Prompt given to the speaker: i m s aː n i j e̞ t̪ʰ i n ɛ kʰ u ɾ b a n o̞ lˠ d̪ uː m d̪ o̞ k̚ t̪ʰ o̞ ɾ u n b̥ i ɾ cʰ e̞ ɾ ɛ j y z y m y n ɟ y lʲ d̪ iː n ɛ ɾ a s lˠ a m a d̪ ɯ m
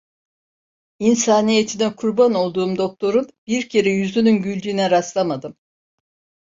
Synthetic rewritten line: i n s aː n i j e̞ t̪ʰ i n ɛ kʰ u ɾ b a n o̞ lˠ d̪ uː m d̪ o̞ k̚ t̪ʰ o̞ ɾ u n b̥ i ɾ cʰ e̞ ɾ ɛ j y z y n y n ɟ y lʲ d̪ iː n ɛ ɾ a s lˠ a m a d̪ ɯ m